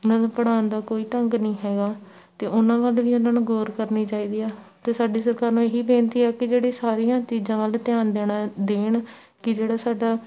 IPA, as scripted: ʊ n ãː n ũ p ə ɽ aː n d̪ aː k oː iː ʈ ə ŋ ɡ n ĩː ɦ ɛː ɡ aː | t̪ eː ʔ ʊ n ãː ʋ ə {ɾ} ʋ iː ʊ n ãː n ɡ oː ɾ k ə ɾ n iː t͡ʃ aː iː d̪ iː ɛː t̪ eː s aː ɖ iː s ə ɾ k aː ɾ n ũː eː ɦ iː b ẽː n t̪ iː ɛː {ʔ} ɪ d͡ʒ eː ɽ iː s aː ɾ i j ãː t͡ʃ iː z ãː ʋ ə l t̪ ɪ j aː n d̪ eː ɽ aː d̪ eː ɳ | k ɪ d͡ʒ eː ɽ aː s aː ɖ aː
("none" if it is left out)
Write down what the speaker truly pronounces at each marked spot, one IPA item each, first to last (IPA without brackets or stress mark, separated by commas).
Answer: l, k